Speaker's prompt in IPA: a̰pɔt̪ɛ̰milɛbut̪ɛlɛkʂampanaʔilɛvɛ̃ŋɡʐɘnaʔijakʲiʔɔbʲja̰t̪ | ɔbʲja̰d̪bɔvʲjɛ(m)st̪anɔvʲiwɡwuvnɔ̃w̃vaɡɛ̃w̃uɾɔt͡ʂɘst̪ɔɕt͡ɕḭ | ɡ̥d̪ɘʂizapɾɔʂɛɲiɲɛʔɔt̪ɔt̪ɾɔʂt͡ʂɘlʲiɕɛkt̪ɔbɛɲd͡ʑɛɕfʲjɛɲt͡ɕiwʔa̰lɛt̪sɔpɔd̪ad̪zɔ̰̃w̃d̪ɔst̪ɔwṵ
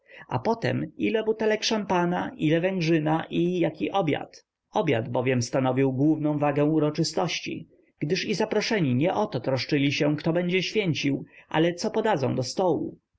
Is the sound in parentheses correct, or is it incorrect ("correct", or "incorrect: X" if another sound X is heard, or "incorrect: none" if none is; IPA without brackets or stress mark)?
correct